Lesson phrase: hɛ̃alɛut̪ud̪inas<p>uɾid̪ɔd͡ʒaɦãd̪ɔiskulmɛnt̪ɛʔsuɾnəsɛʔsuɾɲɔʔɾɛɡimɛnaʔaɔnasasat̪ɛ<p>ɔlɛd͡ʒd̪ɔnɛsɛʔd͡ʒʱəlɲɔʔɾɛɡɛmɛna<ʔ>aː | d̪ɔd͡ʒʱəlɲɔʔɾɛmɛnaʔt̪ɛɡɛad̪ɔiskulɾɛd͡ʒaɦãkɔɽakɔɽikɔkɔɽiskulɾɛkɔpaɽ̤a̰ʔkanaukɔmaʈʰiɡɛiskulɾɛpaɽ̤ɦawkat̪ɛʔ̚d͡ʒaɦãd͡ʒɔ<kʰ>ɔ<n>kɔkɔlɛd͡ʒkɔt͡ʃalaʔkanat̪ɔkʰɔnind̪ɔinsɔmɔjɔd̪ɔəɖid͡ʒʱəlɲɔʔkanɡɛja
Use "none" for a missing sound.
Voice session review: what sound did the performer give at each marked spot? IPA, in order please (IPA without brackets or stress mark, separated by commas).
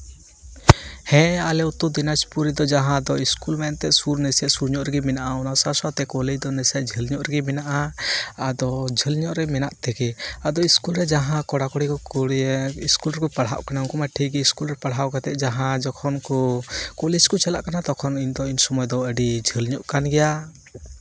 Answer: p, k, ʔ, kʰ, n